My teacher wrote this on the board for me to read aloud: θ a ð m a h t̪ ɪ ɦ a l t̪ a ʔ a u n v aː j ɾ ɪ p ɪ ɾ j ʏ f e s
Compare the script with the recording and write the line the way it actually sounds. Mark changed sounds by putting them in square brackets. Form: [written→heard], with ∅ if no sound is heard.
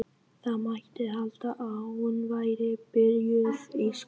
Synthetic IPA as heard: θ a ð m a h t̪ ɪ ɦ a l t̪ a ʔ a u n v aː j ɾ ɪ p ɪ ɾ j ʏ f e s

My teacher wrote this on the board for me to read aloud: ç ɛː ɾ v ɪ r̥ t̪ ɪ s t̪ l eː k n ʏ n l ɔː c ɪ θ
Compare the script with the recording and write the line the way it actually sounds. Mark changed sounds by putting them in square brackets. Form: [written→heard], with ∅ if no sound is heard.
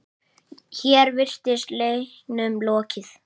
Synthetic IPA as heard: ç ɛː ɾ v ɪ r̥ t̪ ɪ s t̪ l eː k n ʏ [n→m] l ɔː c ɪ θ

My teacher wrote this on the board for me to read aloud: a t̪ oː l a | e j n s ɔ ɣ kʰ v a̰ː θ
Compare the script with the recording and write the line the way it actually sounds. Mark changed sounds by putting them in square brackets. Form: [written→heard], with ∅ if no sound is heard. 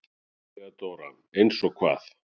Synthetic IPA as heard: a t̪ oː [l→ɾ] a | e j n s ɔ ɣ kʰ v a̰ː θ

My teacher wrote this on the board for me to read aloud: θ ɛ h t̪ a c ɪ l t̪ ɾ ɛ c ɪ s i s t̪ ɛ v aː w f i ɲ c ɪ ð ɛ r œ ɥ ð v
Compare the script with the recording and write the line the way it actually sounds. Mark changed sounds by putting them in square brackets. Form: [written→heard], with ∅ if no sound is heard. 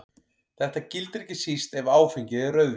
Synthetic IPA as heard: θ ɛ h t̪ a c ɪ l t̪ ɾ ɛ c ɪ s i s t̪ ɛ v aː w f i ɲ c ɪ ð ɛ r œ ɥ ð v

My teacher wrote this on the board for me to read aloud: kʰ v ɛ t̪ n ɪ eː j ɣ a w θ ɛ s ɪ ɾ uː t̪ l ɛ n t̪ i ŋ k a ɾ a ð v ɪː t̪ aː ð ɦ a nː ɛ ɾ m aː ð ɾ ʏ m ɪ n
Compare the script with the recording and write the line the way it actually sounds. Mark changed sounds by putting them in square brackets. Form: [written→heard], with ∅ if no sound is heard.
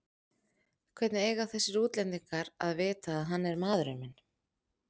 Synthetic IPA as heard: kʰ v ɛ t̪ n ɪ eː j ɣ a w θ ɛ s ɪ ɾ uː t̪ l ɛ n t̪ i ŋ k a ɾ a ð v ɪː t̪ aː ð ɦ a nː ɛ ɾ m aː ð ɾ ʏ m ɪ n

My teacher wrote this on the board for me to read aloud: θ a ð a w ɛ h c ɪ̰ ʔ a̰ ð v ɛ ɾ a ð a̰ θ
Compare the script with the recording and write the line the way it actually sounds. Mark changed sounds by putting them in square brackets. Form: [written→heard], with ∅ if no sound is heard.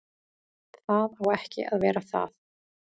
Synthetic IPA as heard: θ a ð a w ɛ h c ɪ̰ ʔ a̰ ð v [ɛ→ɛː] ɾ a [ð→θ] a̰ [θ→ð]

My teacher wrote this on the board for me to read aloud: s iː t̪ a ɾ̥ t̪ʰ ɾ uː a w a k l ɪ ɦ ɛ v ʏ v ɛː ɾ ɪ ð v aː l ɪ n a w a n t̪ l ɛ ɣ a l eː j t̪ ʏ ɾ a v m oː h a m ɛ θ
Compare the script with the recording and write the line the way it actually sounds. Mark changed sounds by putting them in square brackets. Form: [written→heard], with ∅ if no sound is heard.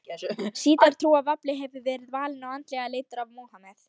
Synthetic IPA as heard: s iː t̪ a ɾ̥ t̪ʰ ɾ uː a [w→v] a [k→p] l ɪ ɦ ɛ v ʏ v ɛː ɾ ɪ ð v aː l ɪ n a w a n t̪ l ɛ ɣ a l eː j t̪ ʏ ɾ a v m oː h a m ɛ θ

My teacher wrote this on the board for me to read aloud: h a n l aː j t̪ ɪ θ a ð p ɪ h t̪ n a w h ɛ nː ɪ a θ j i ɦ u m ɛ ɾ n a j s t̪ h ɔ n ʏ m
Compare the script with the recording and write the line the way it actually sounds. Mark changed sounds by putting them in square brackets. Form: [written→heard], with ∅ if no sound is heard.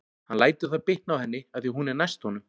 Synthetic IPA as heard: h a n l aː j t̪ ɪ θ a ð p ɪ h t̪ n a w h ɛ nː ɪ a θ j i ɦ u [m→n] ɛ ɾ n a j s t̪ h ɔ n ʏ m

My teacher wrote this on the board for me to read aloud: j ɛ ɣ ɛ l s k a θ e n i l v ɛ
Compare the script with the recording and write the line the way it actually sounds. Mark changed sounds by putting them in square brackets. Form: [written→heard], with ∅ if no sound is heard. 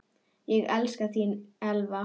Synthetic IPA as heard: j ɛ ɣ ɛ l s k a θ [e→i] n [i→ɛ] l v [ɛ→a]

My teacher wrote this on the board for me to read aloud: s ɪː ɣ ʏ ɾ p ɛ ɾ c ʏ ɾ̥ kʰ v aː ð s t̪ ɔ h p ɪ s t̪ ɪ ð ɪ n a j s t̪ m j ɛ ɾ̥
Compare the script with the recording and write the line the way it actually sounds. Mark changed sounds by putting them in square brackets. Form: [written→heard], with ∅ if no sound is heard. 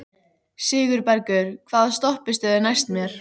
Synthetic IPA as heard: s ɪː ɣ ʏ ɾ p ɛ ɾ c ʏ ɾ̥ kʰ v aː ð s t̪ ɔ h p ɪ s t̪ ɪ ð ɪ n a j s t̪ m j ɛ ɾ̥

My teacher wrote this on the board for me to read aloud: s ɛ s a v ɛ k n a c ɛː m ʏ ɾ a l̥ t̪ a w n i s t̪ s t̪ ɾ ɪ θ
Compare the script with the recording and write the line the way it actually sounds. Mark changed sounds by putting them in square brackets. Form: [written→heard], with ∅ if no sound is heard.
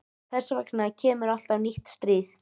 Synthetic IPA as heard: [s→θ] ɛ s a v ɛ k n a [c→cʰ] ɛː m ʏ ɾ a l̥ t̪ a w n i [s→h] t̪ s t̪ ɾ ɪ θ

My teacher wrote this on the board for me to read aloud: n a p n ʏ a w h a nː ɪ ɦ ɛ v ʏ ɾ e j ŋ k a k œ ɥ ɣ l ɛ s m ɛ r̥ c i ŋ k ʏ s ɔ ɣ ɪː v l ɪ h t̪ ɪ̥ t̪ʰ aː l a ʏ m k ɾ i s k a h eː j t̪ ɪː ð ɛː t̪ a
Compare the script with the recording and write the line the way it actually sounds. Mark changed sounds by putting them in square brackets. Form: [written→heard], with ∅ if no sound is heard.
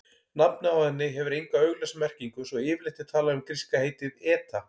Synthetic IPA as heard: n a p n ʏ a w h [a→ɛ] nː ɪ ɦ ɛ v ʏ ɾ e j ŋ k a [k→∅] œ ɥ ɣ l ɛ s m ɛ r̥ c i ŋ k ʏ s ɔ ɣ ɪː v l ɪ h t̪ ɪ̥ t̪ʰ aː l a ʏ m k ɾ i s k a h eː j t̪ [ɪː→ɪ] ð ɛː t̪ a

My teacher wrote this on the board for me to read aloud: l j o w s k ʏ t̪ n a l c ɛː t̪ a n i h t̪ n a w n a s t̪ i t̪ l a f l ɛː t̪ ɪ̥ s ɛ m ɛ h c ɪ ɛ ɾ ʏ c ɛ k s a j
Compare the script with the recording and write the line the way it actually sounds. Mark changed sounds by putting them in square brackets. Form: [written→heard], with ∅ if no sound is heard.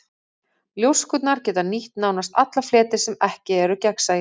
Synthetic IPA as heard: l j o w s k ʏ t̪ n a [l→ɾ] c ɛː t̪ a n i h t̪ n a w n a s t̪ [i→a] t̪ l a f l ɛː t̪ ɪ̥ s ɛ m ɛ h c ɪ ɛ ɾ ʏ c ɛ k s a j

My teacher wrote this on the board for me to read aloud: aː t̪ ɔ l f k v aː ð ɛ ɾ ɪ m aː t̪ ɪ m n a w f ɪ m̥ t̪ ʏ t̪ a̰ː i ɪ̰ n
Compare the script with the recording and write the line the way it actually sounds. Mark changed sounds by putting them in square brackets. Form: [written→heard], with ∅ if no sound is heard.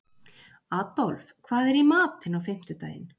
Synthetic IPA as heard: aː t̪ ɔ l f [k→kʰ] v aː ð ɛ ɾ [ɪ→i] m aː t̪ ɪ [m→∅] n a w f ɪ m̥ t̪ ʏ t̪ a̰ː [i→j] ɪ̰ n

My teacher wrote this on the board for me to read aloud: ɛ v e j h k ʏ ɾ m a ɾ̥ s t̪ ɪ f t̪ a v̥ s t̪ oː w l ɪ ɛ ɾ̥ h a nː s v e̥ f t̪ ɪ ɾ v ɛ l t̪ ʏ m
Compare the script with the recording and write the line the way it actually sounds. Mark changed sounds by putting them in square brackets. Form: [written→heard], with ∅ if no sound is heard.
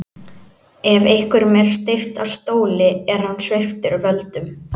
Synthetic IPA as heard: ɛ v e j h k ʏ ɾ m [a→ɛ] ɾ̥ s t̪ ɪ f t̪ a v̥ s t̪ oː w l ɪ ɛ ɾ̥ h a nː s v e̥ f t̪ ɪ ɾ v [ɛ→œ] l t̪ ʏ m

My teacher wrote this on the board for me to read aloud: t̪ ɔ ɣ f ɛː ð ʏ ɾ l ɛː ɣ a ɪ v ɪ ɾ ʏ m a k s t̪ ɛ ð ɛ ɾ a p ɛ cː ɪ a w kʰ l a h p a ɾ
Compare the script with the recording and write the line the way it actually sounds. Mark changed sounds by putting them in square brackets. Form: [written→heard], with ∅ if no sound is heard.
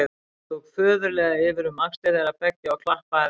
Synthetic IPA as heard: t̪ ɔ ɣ f [ɛː→œː] ð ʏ ɾ l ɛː ɣ a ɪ v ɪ ɾ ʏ m a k s t̪ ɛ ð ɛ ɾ a p ɛ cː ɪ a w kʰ l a h p a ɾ

